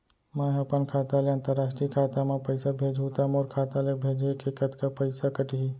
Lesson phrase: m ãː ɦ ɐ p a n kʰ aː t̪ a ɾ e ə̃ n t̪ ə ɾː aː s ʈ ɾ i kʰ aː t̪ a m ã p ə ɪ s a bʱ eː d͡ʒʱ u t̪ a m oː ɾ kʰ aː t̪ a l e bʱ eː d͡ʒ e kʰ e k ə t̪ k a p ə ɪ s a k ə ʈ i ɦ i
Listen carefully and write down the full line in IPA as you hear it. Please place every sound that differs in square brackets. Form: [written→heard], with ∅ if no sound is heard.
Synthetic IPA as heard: m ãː ɦ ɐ p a n kʰ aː t̪ a [ɾ→l] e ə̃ n t̪ ə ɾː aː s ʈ ɾ i kʰ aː t̪ a m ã p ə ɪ s a bʱ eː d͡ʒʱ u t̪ a m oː ɾ kʰ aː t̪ a l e bʱ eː d͡ʒ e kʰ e k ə t̪ k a p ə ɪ s a k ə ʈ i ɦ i